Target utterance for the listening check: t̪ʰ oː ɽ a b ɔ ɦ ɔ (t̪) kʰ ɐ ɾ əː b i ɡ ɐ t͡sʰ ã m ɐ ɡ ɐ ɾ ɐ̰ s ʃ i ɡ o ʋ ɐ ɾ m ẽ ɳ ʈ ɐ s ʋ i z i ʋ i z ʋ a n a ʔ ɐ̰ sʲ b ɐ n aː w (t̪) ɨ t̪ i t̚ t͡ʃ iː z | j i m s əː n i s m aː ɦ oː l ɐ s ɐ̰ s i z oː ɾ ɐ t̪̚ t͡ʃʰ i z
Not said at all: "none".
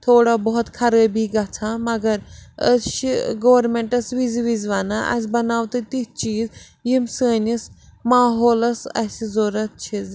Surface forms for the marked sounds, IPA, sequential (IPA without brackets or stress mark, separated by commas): t̪, t̪